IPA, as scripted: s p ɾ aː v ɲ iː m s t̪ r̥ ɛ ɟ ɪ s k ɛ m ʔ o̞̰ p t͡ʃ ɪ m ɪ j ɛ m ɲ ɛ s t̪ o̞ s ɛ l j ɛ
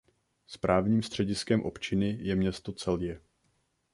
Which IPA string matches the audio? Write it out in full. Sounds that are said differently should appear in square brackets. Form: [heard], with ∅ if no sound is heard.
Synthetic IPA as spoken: s p ɾ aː v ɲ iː m s t̪ r̥ ɛ ɟ ɪ s k ɛ m ʔ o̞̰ p t͡ʃ ɪ [n] ɪ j ɛ m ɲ ɛ s t̪ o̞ [t͡s] ɛ l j ɛ